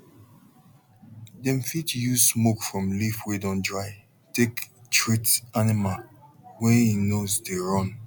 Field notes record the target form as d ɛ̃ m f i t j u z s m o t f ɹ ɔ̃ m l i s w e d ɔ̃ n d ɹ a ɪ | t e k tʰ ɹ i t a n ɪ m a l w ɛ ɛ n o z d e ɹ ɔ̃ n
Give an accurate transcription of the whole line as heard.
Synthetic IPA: d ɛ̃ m f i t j u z s m o k f ɹ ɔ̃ m l i f w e d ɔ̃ n d ɹ a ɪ | t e k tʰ ɹ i t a n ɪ m a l w ɛ i n o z d e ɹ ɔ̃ n

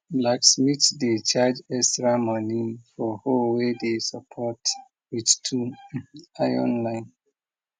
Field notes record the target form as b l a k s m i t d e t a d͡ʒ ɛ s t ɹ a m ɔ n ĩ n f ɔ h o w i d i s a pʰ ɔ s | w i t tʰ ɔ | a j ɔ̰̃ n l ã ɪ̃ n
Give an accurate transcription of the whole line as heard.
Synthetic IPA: b l a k s m i t d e t͡ʃ a d͡ʒ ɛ s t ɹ a m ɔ n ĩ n f ɔ h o w e d e s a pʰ ɔ t | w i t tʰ u | a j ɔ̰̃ n l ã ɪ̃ n

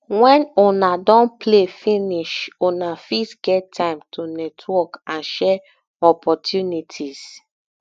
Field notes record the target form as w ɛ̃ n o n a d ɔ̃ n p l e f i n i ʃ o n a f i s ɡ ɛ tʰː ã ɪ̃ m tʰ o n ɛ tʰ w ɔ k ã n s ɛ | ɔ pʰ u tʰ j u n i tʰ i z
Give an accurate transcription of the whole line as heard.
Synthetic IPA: w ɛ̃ n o n a d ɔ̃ n p l e f i n i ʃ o n a f i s ɡ ɛ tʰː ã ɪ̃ m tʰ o n ɛ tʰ w ɔ k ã n ʃ ɛ | ɔ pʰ ɔ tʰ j u n i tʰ i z

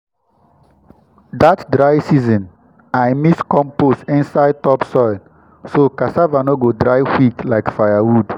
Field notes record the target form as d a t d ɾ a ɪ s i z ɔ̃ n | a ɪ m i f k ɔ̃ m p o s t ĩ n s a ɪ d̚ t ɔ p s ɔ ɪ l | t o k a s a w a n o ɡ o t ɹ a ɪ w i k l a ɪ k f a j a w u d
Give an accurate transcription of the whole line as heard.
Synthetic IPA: d a t d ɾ a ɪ s i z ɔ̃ n | a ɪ m i s k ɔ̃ m p o s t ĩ n s a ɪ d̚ t ɔ p s ɔ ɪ l | s o k a s a v a n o ɡ o d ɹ a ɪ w i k l a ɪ k f a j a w u d

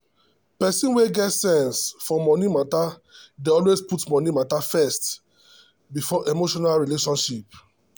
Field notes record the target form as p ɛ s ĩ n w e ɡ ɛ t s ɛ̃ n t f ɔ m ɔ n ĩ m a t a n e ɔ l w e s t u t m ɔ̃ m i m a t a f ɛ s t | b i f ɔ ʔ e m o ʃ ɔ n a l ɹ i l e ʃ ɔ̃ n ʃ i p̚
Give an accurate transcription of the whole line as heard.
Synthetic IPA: p ɛ s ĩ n w e ɡ ɛ t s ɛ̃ n s f ɔ m ɔ n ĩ m a t a d e ɔ l w e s p u t m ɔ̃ n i m a t a f ɛ s t | b i f ɔ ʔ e m o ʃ ɔ n a l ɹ i l e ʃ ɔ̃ n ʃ i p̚

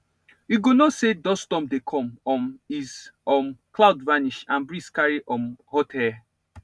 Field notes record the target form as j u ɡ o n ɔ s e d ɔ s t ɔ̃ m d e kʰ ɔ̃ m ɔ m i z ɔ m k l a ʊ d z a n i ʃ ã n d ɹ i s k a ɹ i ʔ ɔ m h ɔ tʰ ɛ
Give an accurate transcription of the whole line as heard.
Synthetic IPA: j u ɡ o n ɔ s e d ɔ s t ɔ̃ m d e kʰ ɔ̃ m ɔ m i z ɔ m k l a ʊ d v a n i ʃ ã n b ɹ i s k a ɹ i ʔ ɔ m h ɔ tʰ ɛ

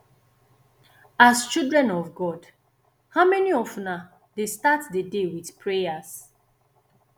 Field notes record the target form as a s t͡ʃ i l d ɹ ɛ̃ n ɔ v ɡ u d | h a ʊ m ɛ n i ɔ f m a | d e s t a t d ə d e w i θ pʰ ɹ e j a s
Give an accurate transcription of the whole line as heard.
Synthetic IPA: a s t͡ʃ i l d ɹ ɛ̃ n ɔ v ɡ ɔ d | h a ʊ m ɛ n i ɔ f n a | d e s t a t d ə d e w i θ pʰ ɹ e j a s

